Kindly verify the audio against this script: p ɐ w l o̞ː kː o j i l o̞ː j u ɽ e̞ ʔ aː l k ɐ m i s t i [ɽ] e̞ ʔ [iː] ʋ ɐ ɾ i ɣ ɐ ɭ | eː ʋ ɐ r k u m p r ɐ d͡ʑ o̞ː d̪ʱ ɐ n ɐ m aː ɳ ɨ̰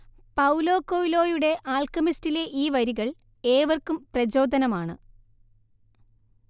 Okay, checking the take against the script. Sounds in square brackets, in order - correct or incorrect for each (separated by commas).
incorrect, correct